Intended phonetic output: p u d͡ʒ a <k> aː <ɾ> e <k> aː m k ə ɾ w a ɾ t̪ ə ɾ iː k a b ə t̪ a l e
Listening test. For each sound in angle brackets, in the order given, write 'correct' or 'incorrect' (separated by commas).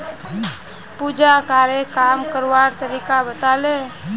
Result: correct, correct, correct